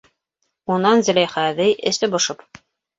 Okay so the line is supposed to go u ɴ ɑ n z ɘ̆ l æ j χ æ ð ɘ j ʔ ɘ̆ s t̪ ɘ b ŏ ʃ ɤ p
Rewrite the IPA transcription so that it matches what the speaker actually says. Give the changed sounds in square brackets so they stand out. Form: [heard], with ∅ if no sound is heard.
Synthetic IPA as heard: u [n] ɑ n z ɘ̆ l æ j χ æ ð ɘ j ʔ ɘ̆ s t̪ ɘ b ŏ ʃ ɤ p